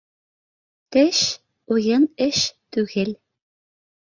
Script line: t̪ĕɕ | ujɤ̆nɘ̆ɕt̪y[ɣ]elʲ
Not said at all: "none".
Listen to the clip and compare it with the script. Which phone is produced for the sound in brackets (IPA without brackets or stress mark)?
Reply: ɣ